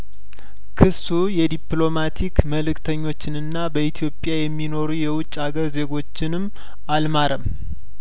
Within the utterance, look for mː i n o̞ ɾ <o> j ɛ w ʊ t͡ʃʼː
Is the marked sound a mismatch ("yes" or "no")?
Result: yes